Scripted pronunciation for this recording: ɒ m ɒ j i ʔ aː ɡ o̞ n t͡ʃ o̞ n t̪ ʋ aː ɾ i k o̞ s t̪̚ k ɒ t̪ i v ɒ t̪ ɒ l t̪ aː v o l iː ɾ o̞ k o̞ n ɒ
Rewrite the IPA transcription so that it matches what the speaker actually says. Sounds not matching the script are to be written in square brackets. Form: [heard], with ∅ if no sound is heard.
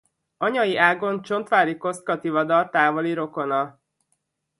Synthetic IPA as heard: ɒ [ɲ] ɒ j i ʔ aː ɡ o̞ n t͡ʃ o̞ n t̪ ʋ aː ɾ i k o̞ s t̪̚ k ɒ t̪ i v ɒ [d̪] ɒ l t̪ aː v o l [i] ɾ o̞ k o̞ n ɒ